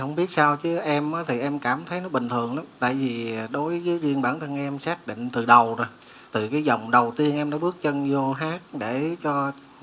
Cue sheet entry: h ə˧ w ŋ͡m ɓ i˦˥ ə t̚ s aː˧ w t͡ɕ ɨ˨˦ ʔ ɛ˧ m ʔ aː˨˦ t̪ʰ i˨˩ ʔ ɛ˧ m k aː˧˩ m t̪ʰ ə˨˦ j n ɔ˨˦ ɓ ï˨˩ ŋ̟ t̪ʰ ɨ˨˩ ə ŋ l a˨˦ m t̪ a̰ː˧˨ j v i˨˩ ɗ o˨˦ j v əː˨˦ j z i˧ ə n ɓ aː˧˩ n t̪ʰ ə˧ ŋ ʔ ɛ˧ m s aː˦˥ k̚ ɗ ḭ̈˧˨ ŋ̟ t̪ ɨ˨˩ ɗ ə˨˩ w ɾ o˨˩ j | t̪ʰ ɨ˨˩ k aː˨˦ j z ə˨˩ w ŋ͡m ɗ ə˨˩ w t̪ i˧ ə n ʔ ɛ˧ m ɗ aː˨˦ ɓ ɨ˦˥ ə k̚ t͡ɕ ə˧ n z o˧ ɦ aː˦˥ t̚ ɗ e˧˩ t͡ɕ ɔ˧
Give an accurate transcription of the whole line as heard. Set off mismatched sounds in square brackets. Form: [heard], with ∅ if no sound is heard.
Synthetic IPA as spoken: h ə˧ w ŋ͡m ɓ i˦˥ ə t̚ s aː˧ w t͡ɕ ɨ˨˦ ʔ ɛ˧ m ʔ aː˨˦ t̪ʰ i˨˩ ʔ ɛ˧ m k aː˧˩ m t̪ʰ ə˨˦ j n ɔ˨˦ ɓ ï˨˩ ŋ̟ t̪ʰ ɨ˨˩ ə ŋ l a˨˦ m t̪ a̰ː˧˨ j v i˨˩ ɗ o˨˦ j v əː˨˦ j z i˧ ə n ɓ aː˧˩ n t̪ʰ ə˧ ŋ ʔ ɛ˧ m s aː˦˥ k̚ ɗ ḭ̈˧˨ ŋ̟ t̪ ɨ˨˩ ɗ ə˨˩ w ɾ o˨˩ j | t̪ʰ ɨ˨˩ k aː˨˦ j z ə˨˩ w ŋ͡m ɗ ə˨˩ w t̪ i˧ ə n ʔ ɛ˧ m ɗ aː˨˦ ɓ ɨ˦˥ ə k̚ t͡ɕ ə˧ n z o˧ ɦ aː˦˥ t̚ ɗ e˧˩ t͡ɕ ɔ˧